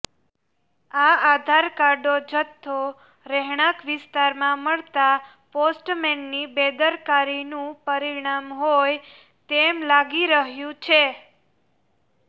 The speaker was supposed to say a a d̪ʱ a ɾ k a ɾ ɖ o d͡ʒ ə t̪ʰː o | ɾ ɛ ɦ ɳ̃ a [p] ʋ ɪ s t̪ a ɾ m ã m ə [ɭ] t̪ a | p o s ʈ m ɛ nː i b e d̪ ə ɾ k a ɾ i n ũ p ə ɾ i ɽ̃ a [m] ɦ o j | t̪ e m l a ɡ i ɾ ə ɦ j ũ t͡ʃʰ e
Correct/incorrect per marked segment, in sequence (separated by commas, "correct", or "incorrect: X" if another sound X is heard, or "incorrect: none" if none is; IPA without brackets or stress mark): incorrect: k, correct, correct